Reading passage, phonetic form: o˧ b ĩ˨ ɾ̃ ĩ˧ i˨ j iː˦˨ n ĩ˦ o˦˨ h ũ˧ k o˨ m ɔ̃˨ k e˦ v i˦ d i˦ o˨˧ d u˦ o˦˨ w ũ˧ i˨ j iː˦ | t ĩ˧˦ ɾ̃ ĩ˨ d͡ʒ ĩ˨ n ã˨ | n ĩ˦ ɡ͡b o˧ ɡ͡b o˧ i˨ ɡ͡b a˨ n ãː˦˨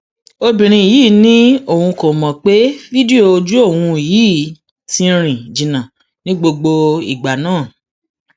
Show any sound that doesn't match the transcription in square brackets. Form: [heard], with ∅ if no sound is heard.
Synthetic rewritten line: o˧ b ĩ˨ ɾ̃ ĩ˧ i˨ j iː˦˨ n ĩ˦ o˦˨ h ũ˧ k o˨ m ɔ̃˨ [k͡p] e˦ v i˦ d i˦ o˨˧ [d͡ʒ] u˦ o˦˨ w ũ˧ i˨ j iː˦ | t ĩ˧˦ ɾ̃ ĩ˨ d͡ʒ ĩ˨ n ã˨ | n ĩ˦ ɡ͡b o˧ ɡ͡b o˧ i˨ ɡ͡b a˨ n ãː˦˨